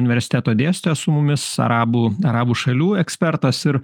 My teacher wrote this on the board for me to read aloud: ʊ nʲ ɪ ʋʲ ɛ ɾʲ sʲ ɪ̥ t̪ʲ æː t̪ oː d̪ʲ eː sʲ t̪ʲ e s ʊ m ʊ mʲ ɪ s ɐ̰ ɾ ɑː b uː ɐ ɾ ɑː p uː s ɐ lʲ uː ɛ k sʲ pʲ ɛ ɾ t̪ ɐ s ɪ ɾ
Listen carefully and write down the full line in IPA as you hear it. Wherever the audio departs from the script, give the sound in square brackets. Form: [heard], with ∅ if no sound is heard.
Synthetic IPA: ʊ nʲ ɪ ʋʲ ɛ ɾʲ sʲ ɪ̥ t̪ʲ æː t̪ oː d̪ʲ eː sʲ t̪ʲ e s ʊ m ʊ mʲ ɪ s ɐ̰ ɾ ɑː b uː ɐ ɾ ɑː [b] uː [ʃ] ɐ lʲ uː ɛ k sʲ pʲ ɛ ɾ t̪ ɐ s ɪ ɾ